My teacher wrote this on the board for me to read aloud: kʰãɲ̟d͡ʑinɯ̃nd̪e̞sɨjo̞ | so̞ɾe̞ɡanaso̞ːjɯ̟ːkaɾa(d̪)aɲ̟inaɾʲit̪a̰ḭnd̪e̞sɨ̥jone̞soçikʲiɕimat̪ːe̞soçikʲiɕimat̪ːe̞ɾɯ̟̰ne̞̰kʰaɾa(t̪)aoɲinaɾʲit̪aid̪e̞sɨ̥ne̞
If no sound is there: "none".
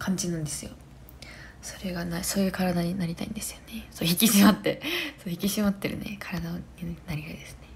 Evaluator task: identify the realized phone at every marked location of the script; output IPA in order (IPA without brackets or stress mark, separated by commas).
d̪, d̪